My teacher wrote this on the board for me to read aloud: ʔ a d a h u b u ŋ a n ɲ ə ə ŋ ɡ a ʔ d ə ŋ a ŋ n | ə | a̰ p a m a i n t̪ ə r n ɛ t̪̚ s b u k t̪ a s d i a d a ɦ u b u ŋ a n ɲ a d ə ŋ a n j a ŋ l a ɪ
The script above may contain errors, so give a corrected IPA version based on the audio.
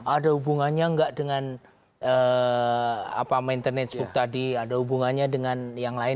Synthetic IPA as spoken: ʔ a d a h u b u ŋ a n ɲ a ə ŋ ɡ a ʔ d ə ŋ a n | ə | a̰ p a m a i n t̪ ə r n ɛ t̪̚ s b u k t̪ a d i a d a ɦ u b u ŋ a n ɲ a d ə ŋ a n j a ŋ l a ɪ